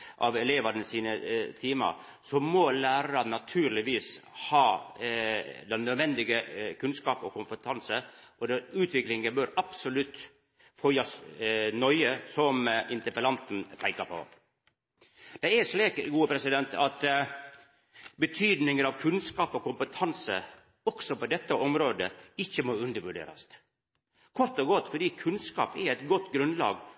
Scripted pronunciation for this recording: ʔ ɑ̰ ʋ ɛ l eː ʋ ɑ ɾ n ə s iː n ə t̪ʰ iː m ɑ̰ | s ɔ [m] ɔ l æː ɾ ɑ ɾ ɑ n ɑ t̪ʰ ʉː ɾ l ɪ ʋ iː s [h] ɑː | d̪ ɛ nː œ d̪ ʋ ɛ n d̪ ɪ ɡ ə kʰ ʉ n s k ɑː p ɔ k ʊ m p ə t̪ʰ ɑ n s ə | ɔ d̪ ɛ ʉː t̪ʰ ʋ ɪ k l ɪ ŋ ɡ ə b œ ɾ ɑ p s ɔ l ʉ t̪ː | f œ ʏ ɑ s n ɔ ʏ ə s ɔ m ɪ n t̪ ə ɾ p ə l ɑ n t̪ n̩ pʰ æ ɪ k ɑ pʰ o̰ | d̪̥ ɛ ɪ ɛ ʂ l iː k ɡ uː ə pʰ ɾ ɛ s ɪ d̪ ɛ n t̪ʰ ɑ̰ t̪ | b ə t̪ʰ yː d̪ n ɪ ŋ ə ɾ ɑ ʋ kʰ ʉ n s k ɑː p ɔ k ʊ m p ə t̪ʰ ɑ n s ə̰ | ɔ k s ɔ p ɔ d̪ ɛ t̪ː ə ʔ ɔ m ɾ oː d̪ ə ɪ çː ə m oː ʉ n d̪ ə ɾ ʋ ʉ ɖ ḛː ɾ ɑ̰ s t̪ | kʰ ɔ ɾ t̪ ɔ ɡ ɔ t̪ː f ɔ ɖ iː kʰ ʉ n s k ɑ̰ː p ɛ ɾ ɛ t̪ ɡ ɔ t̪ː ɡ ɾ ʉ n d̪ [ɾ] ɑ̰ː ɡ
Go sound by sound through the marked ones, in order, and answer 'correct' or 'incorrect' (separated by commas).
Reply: correct, correct, incorrect